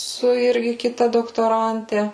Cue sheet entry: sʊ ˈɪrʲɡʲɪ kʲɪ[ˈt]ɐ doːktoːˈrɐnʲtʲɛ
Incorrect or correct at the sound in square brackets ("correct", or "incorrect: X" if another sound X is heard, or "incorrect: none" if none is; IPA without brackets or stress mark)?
correct